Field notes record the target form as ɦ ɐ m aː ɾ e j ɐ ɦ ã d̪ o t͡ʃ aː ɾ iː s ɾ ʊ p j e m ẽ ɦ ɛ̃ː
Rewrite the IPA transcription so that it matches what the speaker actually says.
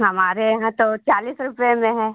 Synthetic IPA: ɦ ɐ m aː ɾ e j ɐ ɦ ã t̪ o t͡ʃ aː l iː s ɾ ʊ p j e m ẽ ɦ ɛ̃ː